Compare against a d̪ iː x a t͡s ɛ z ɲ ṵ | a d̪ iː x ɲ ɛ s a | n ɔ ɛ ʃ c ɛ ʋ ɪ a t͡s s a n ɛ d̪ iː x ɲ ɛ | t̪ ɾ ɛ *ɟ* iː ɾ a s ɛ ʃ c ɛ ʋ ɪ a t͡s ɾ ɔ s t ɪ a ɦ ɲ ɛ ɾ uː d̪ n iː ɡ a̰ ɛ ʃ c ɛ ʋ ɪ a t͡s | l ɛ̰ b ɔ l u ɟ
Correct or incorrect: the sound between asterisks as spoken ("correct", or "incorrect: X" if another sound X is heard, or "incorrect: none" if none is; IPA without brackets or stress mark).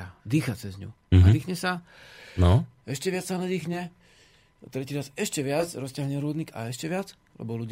incorrect: c